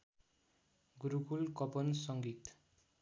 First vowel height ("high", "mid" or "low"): high